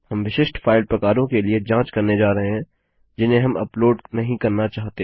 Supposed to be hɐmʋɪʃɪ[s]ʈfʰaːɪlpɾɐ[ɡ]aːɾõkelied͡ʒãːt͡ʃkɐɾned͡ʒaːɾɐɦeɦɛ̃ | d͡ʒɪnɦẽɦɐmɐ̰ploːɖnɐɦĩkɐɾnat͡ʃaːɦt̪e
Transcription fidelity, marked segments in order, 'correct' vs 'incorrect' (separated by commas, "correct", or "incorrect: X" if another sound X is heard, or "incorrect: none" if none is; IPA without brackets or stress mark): incorrect: ʃ, incorrect: k